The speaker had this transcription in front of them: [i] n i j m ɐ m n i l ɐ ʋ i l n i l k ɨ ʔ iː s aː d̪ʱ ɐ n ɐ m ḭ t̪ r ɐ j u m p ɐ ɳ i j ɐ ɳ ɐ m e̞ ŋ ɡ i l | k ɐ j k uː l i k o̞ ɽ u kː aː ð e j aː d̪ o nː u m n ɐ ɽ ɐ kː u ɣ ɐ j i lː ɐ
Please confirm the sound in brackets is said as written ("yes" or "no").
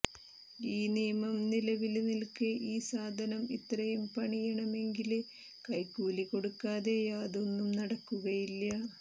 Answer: no